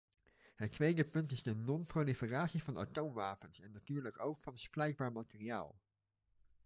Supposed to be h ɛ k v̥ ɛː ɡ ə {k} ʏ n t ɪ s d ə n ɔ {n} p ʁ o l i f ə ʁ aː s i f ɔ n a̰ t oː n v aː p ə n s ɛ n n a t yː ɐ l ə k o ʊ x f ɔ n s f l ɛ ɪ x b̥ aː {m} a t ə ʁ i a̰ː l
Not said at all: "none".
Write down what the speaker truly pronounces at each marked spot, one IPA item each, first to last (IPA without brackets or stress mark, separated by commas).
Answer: p, n, m